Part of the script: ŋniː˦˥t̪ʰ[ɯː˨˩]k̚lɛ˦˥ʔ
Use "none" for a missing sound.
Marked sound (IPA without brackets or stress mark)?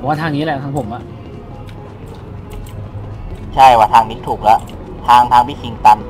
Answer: uː˨˩